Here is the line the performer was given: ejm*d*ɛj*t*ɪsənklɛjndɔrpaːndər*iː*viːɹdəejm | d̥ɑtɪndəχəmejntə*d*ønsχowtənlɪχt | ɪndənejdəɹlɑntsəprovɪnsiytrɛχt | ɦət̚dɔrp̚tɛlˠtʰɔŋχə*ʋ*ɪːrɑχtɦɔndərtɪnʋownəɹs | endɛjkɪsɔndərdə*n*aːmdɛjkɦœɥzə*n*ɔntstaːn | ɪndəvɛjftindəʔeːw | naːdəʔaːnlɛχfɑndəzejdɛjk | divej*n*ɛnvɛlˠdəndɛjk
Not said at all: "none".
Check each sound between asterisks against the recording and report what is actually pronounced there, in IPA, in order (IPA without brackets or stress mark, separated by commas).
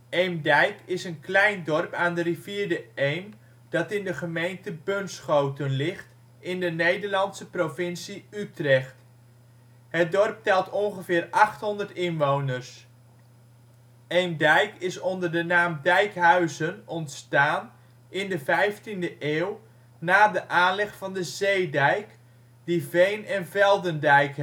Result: d, k, i, b, v, n, n, n